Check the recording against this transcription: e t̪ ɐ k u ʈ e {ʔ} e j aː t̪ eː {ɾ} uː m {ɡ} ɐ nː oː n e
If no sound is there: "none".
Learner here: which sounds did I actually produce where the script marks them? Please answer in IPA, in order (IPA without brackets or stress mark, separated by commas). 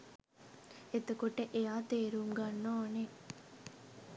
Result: ʔ, ɾ, ɡ